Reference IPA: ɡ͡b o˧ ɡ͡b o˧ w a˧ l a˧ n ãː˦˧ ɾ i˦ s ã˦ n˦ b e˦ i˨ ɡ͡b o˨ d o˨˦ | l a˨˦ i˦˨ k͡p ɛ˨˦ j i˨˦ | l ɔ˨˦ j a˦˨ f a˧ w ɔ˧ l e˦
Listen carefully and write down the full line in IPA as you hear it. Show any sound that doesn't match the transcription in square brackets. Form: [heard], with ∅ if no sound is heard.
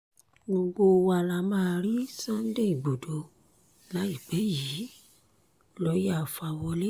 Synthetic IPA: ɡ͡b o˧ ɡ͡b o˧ w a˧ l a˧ [m] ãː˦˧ ɾ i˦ s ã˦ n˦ [d] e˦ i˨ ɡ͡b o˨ d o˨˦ | l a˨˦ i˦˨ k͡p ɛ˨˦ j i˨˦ | l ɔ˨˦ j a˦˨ f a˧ w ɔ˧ l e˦